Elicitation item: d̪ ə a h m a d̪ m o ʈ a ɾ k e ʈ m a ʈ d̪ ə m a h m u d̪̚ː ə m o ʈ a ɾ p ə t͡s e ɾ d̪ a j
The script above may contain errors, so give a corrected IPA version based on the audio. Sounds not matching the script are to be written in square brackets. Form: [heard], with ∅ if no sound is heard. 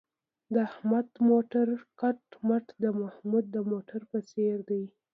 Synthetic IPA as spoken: d̪ ə a h m a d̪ m o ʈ a ɾ k [a] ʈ m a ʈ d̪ ə m a h m u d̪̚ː ə m o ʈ a ɾ p ə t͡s e ɾ d̪ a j